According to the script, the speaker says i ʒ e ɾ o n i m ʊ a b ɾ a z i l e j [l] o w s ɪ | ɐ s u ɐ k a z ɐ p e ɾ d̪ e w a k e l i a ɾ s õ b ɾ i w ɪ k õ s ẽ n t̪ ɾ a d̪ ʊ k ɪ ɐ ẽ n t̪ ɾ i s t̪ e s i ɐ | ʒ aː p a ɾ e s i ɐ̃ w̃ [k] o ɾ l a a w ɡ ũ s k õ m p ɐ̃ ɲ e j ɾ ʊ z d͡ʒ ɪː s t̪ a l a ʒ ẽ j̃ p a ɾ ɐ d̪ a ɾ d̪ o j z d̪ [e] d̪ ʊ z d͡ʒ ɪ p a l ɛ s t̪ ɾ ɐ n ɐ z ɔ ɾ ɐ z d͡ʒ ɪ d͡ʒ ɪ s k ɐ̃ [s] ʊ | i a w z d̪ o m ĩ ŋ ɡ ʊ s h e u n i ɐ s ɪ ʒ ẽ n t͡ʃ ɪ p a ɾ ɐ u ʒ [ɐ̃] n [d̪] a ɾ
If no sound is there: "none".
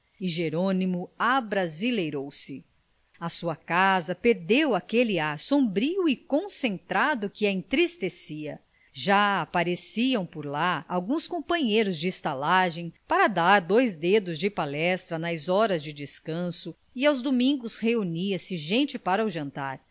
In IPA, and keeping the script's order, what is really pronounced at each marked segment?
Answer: ɾ, p, e, s, ɐ̃, t̪

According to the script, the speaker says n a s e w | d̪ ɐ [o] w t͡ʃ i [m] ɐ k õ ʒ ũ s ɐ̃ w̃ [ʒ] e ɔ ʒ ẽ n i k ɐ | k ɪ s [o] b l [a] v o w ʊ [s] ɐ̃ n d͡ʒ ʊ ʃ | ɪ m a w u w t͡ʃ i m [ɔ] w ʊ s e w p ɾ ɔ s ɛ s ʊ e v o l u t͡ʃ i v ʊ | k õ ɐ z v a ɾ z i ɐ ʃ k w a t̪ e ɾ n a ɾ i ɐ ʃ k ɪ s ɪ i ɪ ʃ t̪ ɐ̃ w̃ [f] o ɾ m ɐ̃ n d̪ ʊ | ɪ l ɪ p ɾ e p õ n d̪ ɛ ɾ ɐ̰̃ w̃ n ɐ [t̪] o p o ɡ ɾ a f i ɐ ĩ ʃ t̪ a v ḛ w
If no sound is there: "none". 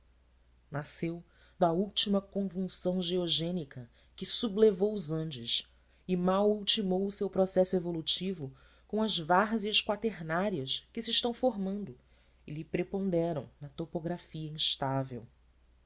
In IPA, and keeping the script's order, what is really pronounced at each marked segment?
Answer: u, m, ʒ, u, e, z, o, f, t̪

